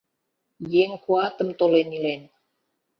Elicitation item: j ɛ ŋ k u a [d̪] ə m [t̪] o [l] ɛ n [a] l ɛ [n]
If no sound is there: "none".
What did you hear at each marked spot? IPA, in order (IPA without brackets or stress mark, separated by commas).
t̪, t̪, l, i, n